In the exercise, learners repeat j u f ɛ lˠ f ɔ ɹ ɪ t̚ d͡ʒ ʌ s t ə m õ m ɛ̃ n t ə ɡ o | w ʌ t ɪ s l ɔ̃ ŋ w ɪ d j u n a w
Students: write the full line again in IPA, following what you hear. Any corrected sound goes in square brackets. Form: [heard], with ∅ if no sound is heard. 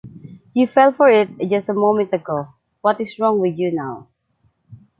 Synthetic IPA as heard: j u f ɛ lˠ f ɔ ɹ ɪ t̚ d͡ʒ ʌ s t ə m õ m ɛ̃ n t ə ɡ o | w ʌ t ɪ s [ɹ] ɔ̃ ŋ w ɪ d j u n a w